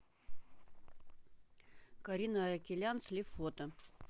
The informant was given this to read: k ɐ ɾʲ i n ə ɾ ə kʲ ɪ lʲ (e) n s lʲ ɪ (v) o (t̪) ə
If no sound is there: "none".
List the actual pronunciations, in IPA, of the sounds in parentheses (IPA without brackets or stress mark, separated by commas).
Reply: a, f, t̪